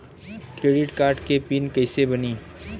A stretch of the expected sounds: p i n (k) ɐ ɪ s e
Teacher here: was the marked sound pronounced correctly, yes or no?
yes